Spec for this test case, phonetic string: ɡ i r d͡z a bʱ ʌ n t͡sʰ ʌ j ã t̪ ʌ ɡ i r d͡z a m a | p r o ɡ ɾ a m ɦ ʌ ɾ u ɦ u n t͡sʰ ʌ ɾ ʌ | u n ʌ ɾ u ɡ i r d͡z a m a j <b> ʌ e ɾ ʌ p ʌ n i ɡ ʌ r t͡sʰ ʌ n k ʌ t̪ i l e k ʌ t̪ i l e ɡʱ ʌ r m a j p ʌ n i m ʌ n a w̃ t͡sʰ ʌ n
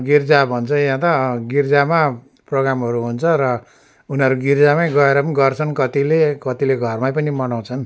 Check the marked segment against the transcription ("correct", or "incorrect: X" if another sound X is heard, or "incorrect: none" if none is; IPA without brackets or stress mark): incorrect: ɡ